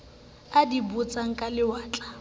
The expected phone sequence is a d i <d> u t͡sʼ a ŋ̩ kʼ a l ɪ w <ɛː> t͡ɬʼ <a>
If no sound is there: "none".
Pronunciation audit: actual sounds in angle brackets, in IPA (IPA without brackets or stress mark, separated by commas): b, aː, a